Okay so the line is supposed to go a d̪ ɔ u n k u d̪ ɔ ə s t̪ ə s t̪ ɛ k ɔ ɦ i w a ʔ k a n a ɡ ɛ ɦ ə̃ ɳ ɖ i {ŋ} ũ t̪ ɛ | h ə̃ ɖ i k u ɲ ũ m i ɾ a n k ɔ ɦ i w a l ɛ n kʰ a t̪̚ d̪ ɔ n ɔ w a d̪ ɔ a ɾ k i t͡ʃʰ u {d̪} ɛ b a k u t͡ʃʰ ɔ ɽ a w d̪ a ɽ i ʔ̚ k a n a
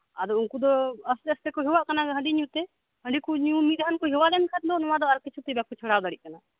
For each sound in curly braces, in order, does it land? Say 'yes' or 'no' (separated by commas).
no, no